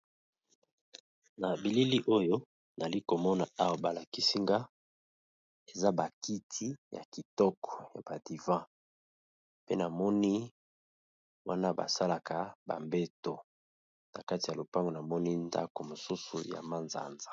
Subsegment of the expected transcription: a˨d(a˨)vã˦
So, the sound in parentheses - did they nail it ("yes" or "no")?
no